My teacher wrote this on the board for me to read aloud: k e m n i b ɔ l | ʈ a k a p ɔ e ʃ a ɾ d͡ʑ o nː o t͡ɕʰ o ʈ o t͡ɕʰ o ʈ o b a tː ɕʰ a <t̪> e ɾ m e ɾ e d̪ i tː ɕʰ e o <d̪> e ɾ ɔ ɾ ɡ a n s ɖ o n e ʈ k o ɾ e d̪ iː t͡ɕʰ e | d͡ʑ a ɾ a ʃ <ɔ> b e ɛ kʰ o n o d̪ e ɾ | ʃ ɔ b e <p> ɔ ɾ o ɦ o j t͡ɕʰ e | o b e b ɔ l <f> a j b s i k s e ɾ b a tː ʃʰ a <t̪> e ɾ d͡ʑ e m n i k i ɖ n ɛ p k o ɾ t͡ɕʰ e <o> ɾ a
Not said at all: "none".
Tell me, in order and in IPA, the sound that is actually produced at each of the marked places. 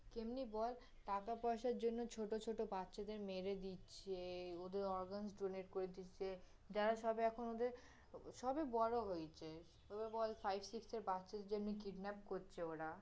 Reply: d̪, d̪, ɔ, b, f, d̪, o

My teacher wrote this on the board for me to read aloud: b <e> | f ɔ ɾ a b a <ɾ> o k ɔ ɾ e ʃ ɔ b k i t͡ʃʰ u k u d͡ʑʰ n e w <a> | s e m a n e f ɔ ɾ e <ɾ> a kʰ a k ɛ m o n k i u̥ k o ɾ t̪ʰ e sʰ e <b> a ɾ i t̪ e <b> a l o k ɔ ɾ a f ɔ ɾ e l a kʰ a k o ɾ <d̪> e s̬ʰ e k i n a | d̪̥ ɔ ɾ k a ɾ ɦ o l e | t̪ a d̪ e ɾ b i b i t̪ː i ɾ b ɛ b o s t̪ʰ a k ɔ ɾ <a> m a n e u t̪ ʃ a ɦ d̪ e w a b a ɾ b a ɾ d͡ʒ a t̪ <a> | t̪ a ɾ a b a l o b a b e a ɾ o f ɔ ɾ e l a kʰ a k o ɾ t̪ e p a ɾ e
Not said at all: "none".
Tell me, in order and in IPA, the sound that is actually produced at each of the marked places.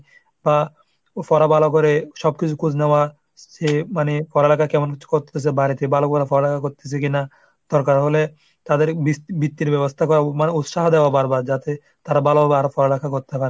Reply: a, l, a, l, b, b, t̪, a, e

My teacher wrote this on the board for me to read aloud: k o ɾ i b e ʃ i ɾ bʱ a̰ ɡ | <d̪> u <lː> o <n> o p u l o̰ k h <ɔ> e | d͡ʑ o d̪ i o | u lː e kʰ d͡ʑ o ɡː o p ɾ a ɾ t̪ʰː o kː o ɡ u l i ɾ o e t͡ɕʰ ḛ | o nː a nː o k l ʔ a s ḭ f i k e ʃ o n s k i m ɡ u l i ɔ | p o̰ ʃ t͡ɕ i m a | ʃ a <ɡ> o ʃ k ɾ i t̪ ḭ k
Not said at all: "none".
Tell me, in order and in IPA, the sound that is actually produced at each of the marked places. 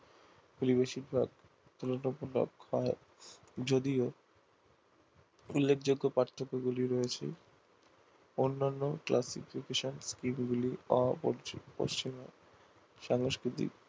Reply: t̪, l, n, ɔ, ŋ

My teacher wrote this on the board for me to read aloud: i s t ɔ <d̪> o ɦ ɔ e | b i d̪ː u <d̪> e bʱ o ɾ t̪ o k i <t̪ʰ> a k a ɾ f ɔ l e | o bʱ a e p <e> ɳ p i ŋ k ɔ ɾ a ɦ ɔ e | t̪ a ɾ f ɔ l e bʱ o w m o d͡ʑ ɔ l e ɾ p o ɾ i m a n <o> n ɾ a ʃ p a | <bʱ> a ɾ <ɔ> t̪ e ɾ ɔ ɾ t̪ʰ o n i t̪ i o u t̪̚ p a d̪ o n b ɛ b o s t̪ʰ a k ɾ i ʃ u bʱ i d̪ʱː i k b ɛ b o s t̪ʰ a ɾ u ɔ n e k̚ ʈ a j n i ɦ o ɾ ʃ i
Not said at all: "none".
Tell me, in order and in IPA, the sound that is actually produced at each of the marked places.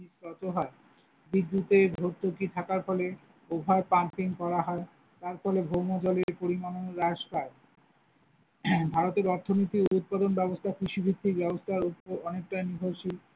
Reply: t̪, t̪, t̪ʰ, a, o, bʱ, o

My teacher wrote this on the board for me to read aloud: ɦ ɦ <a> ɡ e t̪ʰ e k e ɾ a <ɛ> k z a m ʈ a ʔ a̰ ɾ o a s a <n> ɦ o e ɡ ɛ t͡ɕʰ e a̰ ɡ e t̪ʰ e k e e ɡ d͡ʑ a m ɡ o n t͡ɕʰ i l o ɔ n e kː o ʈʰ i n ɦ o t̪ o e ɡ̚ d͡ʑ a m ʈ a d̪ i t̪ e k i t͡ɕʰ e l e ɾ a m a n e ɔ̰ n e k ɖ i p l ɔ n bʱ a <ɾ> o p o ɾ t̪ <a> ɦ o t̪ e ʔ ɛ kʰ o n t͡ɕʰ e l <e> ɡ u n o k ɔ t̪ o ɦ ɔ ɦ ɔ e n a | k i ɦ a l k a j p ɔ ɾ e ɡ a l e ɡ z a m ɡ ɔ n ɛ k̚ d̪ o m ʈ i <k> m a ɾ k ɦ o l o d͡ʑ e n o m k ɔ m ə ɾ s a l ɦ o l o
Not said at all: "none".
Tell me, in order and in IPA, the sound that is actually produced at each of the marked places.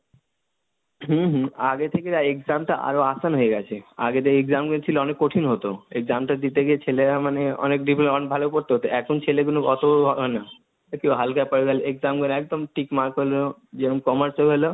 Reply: a, e, n, l, e, e, k

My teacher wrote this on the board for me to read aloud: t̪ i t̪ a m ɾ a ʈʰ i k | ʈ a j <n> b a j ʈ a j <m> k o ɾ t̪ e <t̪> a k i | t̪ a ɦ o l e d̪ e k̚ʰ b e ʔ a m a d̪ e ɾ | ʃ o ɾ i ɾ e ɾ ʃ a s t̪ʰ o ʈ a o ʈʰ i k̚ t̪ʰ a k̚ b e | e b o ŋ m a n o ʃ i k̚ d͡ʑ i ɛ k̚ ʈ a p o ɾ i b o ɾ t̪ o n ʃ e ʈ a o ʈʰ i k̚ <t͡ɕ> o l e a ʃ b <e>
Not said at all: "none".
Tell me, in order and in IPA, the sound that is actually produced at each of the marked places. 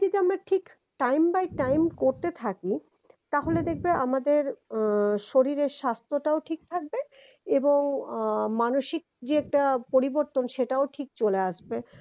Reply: m, m, t̪ʰ, t͡ɕ, e

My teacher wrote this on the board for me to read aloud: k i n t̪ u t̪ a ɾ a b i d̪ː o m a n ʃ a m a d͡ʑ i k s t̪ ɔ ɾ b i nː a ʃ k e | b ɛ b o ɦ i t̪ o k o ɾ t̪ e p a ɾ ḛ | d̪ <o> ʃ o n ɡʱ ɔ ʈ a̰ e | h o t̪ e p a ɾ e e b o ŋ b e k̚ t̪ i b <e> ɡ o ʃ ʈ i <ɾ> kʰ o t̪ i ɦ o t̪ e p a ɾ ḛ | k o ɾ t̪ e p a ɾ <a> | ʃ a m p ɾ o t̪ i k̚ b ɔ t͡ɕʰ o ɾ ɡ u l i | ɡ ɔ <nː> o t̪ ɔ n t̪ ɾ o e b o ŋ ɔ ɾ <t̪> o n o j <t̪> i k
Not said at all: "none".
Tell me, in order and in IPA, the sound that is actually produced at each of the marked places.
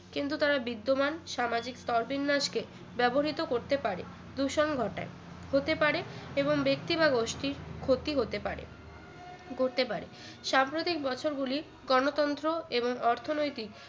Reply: u, a, ɾ, e, n, t̪ʰ, t̪

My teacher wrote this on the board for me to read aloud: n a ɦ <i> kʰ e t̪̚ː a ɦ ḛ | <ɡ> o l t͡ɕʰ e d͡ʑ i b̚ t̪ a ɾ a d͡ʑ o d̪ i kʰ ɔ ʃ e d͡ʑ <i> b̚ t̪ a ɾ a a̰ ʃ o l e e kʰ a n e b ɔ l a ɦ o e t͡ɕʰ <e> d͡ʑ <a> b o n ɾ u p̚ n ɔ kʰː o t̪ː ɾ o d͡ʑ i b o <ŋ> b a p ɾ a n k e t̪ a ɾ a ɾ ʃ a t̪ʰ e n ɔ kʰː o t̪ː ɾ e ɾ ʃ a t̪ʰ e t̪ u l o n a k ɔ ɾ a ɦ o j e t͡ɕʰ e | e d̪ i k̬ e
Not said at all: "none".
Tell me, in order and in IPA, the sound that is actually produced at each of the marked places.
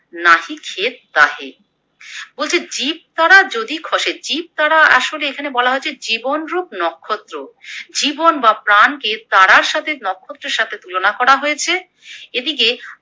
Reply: i, b, i, e, i, n

